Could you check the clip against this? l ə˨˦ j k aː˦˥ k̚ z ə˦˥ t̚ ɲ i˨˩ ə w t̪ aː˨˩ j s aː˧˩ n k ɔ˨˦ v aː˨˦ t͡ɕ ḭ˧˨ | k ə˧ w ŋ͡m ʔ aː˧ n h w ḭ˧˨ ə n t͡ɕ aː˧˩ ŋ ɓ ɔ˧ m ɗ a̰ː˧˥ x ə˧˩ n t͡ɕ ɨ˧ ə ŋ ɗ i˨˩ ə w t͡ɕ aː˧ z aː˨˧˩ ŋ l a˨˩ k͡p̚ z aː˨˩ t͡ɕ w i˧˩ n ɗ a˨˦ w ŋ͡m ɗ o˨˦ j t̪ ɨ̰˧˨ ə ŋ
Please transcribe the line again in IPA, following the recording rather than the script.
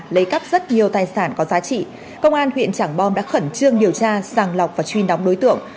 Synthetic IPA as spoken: l ə˨˦ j k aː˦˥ k̚ z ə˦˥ t̚ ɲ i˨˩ ə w t̪ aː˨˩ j s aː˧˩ n k ɔ˨˦ z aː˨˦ t͡ɕ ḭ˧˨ | k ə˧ w ŋ͡m ʔ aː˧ n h w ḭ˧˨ ə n t͡ɕ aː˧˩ ŋ ɓ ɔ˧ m ɗ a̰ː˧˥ x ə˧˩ n t͡ɕ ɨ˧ ə ŋ ɗ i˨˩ ə w t͡ɕ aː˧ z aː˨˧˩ ŋ l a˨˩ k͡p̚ v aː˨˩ t͡ɕ w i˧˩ n ɗ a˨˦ w ŋ͡m ɗ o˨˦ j t̪ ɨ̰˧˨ ə ŋ

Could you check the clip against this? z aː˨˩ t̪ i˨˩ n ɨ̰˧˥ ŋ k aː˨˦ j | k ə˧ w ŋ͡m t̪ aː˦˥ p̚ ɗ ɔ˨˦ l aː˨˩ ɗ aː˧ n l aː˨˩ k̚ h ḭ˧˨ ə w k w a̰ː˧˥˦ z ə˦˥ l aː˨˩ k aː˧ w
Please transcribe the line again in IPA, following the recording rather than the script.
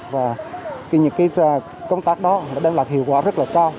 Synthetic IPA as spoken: v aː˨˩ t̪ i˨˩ ɲ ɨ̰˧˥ ŋ k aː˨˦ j | k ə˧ w ŋ͡m t̪ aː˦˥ k̚ ɗ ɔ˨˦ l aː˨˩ ɗ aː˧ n l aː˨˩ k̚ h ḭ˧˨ ə w k w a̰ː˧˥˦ z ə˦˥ l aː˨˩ k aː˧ w

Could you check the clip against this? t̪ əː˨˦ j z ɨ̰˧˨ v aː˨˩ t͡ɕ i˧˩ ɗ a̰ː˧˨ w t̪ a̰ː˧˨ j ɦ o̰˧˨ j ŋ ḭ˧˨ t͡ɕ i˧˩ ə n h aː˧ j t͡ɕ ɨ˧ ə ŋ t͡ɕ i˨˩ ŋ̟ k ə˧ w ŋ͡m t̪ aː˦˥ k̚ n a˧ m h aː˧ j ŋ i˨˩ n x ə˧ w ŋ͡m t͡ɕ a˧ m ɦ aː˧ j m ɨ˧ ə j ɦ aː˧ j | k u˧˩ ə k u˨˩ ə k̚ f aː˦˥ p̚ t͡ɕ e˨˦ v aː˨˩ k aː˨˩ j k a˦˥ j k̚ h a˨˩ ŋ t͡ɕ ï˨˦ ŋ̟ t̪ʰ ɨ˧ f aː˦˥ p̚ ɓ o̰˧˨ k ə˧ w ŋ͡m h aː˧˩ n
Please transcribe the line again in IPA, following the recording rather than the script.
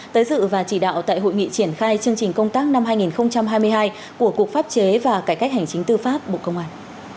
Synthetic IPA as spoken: t̪ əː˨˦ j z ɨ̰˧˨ v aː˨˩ t͡ɕ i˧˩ ɗ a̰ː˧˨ w t̪ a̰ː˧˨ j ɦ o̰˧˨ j ŋ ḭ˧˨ t͡ɕ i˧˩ ə n x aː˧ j t͡ɕ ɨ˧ ə ŋ t͡ɕ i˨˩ ŋ̟ k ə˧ w ŋ͡m t̪ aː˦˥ k̚ n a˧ m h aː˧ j ŋ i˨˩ n x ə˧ w ŋ͡m t͡ɕ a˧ m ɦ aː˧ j m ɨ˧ ə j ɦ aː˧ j | k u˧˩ ə k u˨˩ ə k̚ f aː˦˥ p̚ t͡ɕ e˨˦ v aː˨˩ k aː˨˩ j k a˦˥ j k̚ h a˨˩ ŋ t͡ɕ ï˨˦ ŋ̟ t̪ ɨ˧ f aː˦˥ p̚ ɓ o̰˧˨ k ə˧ w ŋ͡m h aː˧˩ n

